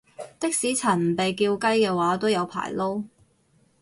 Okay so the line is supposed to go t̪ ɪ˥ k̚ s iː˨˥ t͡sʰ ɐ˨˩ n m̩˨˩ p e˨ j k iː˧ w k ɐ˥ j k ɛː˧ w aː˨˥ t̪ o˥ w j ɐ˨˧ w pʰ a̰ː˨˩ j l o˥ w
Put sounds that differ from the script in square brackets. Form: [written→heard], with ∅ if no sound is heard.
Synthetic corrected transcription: t̪ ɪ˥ k̚ s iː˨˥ t͡sʰ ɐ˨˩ n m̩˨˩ p e˨ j k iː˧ w k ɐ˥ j k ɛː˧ w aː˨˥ t̪ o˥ w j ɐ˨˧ w pʰ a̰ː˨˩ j l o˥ w